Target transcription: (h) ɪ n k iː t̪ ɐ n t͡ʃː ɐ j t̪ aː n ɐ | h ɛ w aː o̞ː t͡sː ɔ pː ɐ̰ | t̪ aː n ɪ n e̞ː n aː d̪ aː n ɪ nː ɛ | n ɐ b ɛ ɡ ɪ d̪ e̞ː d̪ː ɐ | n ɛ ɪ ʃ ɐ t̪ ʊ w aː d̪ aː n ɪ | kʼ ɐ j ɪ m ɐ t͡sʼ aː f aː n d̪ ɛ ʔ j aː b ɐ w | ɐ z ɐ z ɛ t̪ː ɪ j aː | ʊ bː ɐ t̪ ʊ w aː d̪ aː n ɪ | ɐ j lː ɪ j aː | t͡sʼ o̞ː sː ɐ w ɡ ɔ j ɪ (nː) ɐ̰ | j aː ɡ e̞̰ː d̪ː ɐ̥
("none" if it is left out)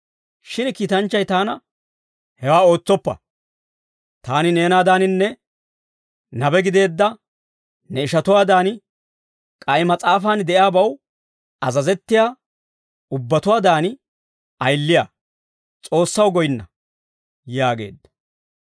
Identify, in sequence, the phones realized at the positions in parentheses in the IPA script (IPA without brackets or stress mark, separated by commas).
ʃ, nː